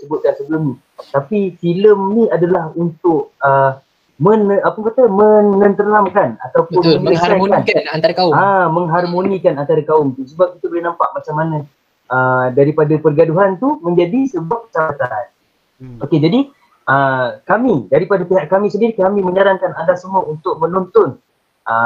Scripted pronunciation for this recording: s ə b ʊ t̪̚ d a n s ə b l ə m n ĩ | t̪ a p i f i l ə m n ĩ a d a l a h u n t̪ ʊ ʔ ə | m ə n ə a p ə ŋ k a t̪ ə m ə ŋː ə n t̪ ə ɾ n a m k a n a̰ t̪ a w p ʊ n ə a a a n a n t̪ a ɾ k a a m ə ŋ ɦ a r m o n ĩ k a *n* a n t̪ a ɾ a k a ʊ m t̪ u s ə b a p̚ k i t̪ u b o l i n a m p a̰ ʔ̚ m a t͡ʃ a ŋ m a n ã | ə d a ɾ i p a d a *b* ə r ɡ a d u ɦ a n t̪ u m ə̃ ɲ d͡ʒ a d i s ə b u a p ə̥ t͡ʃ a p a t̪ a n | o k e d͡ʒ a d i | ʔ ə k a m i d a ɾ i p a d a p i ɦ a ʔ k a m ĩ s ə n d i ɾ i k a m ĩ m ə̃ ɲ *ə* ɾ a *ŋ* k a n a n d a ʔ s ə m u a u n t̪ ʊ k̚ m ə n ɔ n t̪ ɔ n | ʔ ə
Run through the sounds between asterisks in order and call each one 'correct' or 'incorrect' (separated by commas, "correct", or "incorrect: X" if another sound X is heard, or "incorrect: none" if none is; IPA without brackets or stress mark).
correct, incorrect: p, incorrect: a, correct